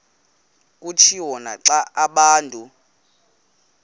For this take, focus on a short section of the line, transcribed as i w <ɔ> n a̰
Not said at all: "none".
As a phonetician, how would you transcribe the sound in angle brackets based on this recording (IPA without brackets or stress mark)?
ɔ